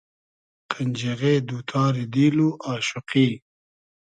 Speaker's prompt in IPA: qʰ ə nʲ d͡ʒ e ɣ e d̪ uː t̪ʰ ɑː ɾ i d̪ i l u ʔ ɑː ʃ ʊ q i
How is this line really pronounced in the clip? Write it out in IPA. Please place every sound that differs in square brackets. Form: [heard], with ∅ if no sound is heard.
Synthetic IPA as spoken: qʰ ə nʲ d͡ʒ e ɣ e d̪ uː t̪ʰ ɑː ɾ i d̪ i l u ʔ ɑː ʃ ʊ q i